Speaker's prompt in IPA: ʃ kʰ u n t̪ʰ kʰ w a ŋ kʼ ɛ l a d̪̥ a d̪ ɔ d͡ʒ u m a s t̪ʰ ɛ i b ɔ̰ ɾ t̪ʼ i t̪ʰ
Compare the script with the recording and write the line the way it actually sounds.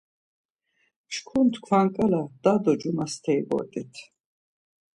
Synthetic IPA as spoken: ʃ kʰ u n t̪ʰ kʰ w a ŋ kʼ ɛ l a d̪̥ a d̪ ɔ d͡ʒ u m a s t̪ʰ ɛ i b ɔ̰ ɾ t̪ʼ i t̪ʰ